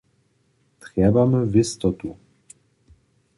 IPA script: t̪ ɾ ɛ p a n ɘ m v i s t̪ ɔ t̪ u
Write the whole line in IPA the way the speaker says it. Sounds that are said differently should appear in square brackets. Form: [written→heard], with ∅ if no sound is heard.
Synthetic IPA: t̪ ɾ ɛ [p→b] a [n→m] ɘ [m→∅] v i s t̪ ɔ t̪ u